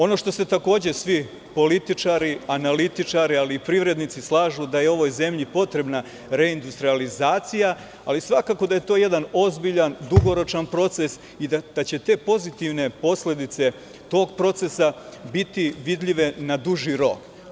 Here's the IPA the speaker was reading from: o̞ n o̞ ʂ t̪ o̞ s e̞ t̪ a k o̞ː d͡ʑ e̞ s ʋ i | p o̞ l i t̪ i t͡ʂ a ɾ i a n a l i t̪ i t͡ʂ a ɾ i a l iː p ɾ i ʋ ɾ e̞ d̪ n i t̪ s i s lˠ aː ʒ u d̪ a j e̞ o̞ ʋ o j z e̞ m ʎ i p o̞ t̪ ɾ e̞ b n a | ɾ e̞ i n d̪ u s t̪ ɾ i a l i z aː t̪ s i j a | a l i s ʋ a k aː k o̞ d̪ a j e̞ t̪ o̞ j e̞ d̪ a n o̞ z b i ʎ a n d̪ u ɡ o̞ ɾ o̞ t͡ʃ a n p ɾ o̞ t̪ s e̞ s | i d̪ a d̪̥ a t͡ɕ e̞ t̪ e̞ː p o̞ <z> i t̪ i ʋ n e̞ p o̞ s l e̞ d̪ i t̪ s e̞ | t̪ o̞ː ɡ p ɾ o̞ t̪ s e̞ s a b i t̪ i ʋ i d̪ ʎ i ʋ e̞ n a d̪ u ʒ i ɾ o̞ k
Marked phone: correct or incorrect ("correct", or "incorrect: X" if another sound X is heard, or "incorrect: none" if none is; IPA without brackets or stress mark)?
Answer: correct